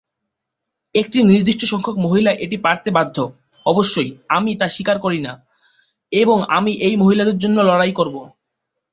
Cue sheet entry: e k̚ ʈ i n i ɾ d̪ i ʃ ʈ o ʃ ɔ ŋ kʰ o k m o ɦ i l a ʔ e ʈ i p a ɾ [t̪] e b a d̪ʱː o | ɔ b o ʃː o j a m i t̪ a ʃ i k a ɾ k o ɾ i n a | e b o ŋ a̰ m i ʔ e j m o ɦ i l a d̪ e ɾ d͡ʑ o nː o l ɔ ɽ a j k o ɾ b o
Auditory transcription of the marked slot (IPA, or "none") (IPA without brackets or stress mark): t̪